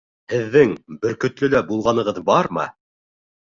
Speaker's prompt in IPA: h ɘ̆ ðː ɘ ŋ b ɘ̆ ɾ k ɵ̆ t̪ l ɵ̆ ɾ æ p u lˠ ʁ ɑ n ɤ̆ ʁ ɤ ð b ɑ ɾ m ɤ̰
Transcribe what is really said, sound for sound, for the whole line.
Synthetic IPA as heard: h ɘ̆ ðː ɘ ŋ b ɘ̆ ɾ k ɵ̆ t̪ l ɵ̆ l æ b u lˠ ʁ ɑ n ɤ̆ ʁ ɤ ð b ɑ ɾ m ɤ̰